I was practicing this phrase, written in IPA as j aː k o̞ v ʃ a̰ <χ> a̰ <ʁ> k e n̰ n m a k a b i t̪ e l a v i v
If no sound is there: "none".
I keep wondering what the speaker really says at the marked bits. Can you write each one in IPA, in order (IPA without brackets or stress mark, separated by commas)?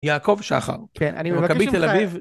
χ, ʁ